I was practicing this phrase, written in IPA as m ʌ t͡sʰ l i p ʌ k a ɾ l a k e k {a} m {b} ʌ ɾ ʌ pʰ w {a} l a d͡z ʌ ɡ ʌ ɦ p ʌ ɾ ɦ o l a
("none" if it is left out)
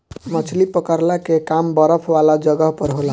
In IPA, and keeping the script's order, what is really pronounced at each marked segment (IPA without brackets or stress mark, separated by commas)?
a, b, a